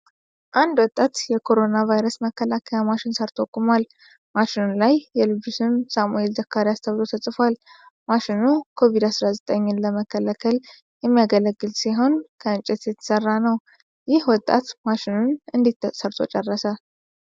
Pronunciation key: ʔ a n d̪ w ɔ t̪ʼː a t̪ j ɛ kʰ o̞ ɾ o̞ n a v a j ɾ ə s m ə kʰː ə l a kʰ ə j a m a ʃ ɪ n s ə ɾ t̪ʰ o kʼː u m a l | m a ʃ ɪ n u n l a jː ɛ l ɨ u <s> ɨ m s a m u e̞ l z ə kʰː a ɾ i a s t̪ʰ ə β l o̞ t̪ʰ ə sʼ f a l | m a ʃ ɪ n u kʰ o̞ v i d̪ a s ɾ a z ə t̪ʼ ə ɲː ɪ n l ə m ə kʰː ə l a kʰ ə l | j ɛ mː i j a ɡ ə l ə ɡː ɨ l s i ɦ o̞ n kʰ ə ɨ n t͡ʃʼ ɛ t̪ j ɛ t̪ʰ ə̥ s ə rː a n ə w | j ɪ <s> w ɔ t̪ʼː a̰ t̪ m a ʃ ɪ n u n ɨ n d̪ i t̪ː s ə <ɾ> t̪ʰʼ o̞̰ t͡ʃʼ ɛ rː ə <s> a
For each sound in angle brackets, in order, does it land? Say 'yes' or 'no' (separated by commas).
yes, no, yes, yes